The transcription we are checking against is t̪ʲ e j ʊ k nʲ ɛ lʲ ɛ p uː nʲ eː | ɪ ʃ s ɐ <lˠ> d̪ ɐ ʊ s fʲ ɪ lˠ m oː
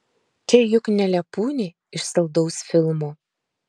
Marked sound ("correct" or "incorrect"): correct